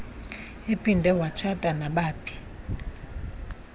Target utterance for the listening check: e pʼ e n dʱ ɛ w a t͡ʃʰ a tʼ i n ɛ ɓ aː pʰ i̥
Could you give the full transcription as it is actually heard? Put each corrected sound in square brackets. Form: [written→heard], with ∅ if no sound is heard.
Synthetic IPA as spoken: e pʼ [e→i] n dʱ ɛ w a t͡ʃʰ a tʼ [i→a] n [ɛ→a] ɓ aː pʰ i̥